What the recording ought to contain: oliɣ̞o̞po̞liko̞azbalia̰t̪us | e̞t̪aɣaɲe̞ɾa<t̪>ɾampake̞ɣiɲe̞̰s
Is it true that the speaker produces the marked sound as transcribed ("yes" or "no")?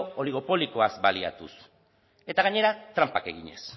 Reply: yes